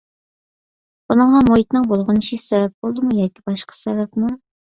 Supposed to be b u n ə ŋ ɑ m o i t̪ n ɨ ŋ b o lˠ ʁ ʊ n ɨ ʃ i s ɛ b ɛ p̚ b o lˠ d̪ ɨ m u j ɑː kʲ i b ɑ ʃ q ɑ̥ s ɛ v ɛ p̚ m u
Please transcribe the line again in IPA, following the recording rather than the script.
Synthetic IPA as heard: b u n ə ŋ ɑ m o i t̪ n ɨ ŋ b o lˠ ʁ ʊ n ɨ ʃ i s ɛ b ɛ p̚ b o lˠ d̪ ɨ m u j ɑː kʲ i b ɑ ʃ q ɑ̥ s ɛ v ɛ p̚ m u